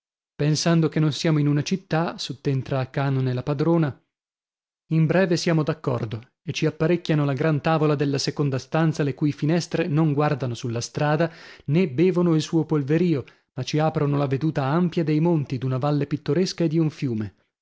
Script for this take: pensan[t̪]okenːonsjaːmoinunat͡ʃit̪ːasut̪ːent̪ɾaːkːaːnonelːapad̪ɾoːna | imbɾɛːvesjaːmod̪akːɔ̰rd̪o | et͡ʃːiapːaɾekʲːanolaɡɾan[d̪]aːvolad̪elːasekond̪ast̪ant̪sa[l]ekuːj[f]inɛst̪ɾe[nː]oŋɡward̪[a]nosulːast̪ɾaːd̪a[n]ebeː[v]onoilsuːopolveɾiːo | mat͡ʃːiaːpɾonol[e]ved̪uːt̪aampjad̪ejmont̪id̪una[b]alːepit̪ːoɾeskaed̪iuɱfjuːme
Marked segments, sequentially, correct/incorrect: incorrect, incorrect, correct, correct, incorrect, correct, correct, correct, incorrect, incorrect

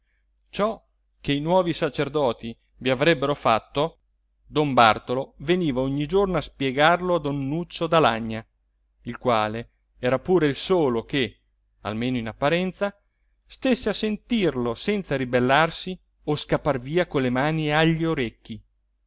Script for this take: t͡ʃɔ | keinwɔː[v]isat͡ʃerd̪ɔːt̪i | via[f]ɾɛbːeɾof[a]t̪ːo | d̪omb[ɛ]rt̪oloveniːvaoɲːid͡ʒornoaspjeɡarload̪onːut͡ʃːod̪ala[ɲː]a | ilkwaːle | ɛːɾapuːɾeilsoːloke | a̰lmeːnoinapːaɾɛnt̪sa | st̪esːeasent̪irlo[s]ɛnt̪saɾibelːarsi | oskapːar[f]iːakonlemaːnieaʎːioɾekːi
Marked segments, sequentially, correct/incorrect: correct, incorrect, correct, incorrect, correct, correct, incorrect

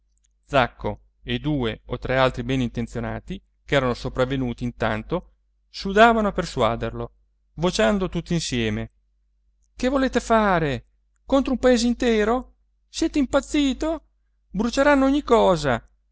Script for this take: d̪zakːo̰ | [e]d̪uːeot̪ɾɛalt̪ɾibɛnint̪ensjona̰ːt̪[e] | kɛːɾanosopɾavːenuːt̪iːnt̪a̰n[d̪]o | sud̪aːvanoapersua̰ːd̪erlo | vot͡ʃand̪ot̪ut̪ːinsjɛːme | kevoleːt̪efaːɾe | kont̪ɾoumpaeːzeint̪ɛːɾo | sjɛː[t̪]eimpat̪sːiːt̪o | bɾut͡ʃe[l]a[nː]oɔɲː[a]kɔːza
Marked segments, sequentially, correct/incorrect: correct, incorrect, incorrect, correct, incorrect, correct, incorrect

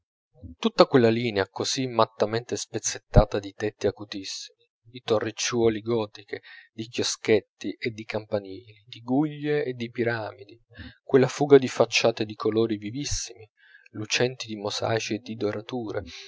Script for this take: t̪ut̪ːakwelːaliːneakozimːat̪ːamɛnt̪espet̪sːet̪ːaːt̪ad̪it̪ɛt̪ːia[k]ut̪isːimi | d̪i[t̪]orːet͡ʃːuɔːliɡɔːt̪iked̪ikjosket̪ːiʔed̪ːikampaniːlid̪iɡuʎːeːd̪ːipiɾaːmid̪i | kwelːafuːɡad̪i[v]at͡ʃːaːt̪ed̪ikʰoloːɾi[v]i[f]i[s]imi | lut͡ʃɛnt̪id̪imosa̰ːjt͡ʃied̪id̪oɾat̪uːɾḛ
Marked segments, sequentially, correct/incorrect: correct, correct, incorrect, correct, incorrect, incorrect

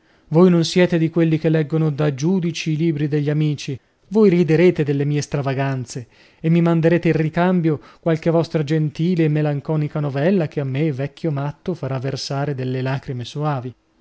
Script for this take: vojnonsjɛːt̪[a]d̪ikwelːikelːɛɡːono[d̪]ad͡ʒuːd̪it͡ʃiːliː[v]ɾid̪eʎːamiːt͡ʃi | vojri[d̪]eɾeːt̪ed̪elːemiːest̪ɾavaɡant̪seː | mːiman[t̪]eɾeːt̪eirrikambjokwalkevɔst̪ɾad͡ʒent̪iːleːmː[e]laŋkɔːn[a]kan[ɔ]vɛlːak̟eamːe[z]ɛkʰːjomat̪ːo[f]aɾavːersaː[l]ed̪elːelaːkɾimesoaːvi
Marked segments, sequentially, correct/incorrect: incorrect, correct, incorrect, correct, incorrect, correct, incorrect, incorrect, incorrect, correct, incorrect

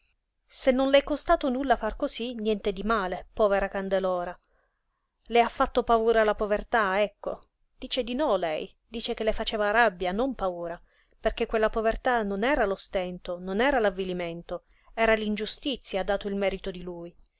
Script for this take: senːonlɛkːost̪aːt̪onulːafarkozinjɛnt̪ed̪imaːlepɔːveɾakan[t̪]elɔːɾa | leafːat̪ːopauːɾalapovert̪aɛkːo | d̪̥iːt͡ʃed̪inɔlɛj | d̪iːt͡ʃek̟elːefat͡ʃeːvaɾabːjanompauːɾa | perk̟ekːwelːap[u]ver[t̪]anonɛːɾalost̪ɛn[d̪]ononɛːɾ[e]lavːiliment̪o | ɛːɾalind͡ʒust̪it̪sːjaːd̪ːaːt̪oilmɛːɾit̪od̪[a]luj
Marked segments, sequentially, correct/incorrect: incorrect, incorrect, correct, incorrect, incorrect, incorrect

